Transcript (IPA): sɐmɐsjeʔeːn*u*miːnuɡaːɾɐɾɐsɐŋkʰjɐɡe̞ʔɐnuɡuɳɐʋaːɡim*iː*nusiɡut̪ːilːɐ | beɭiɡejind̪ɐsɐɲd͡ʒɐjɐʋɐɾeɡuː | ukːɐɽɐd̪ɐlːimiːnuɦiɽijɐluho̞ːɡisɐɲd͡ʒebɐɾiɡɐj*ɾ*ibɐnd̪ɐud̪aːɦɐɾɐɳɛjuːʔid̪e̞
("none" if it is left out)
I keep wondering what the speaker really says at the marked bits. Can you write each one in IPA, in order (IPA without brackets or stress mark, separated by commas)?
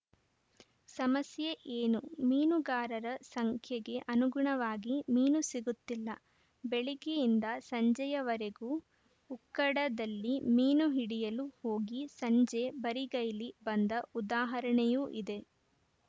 u, iː, l